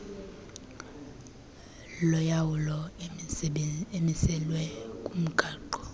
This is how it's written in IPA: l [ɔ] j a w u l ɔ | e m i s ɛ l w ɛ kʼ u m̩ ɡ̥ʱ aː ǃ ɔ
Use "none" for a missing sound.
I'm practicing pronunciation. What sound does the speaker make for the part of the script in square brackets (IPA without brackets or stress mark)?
ɔ